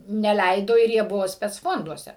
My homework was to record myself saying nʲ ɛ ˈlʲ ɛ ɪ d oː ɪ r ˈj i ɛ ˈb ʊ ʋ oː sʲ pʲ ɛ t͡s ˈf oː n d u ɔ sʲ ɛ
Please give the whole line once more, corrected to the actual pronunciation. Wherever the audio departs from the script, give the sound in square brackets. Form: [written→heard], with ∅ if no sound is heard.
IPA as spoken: nʲ ɛ ˈlʲ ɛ ɪ d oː ɪ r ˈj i ɛ ˈb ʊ ʋ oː sʲ pʲ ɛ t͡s ˈf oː n d u ɔ sʲ ɛ